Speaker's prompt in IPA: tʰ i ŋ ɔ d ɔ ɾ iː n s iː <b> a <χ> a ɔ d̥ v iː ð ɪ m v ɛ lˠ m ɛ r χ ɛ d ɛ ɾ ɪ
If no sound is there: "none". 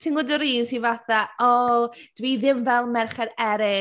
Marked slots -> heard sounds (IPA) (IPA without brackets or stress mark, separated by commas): v, θ